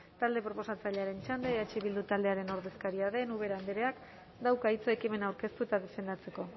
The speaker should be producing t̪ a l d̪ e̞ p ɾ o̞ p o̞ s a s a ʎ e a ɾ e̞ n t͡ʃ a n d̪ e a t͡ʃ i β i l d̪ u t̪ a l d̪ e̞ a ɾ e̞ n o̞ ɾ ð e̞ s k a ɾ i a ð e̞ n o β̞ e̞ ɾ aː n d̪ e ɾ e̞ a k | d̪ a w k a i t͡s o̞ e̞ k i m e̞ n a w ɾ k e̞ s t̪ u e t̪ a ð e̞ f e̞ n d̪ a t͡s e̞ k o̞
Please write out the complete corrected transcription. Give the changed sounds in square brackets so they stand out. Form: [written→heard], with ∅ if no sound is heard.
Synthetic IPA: t̪ a l d̪ e̞ p ɾ o̞ p o̞ s a [s→t͡s] a ʎ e a ɾ e̞ n t͡ʃ a n d̪ e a t͡ʃ i β i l d̪ u t̪ a l d̪ e̞ a ɾ e̞ n o̞ ɾ ð e̞ s k a ɾ i a ð e̞ n [o→u] β̞ e̞ ɾ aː n d̪ e ɾ e̞ a k | d̪ a w k a i t͡s o̞ e̞ k i m e̞ n a w ɾ k e̞ s t̪ u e t̪ a ð e̞ f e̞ n d̪ a t͡s e̞ k o̞